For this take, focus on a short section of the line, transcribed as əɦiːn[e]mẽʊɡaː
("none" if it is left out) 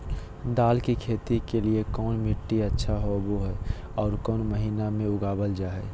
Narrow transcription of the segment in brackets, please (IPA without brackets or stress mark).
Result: a